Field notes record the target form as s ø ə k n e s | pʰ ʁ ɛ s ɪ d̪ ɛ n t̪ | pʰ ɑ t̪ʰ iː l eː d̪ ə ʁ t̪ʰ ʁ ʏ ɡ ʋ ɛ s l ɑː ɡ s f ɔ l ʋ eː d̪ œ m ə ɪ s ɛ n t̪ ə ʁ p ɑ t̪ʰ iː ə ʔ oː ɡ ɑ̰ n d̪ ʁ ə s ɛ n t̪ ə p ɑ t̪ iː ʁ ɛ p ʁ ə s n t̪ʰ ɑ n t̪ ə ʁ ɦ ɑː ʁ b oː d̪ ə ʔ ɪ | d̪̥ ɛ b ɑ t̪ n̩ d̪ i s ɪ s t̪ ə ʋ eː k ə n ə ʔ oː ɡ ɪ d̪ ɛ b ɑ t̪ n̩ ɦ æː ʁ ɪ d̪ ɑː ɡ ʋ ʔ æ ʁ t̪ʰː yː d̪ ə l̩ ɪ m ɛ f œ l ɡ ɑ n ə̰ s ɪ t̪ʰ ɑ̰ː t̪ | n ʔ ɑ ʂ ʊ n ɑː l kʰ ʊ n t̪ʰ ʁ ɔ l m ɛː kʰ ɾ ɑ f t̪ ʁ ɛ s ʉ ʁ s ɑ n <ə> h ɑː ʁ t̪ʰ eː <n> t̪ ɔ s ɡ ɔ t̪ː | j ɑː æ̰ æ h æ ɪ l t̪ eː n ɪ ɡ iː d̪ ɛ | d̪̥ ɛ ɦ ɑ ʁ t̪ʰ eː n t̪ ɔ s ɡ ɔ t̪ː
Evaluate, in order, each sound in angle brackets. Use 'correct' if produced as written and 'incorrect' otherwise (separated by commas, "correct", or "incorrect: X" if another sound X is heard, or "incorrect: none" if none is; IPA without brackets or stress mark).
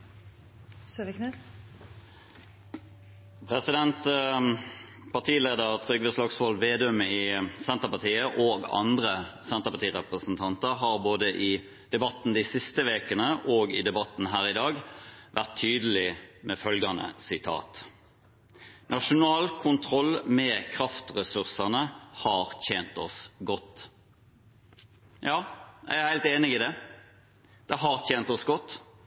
correct, correct